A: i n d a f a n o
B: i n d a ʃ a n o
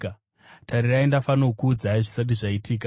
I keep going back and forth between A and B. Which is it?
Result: A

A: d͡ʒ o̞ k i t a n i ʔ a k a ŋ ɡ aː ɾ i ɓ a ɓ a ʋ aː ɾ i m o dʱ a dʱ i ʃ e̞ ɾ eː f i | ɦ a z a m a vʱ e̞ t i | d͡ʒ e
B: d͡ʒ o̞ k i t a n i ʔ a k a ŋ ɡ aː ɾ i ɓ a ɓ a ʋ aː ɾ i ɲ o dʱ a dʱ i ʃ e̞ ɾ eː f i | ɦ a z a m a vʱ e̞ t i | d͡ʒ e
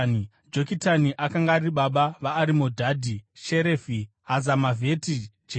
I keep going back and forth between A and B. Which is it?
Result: A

